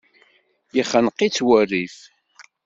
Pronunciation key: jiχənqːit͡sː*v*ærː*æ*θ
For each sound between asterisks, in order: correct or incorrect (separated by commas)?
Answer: incorrect, incorrect